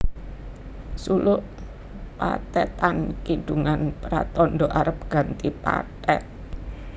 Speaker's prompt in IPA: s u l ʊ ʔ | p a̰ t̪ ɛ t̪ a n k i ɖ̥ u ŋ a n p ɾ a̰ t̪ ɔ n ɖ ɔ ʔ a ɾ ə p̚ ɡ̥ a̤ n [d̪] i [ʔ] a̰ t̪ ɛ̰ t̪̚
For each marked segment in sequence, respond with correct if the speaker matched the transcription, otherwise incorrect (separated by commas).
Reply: incorrect, incorrect